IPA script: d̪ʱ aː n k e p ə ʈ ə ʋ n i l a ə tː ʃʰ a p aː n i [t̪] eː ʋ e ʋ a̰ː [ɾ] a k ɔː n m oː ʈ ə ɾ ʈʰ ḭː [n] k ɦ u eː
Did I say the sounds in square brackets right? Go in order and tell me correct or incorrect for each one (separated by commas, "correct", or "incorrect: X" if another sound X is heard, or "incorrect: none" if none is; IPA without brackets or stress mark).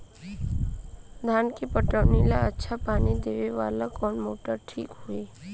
incorrect: d̪, incorrect: l, incorrect: none